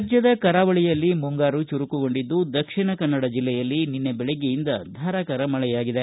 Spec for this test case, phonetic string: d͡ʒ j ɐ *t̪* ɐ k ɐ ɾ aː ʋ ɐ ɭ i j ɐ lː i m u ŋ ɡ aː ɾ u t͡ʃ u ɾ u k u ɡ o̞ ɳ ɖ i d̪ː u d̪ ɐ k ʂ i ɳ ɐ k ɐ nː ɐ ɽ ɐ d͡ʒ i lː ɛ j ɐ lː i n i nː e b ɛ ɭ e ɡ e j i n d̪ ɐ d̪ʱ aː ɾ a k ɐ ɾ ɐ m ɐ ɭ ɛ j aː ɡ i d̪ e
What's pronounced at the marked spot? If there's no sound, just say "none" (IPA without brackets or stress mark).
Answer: d̪